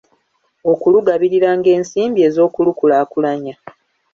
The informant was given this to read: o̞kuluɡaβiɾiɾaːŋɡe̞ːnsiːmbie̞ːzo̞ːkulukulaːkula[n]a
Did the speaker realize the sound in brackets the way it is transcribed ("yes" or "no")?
no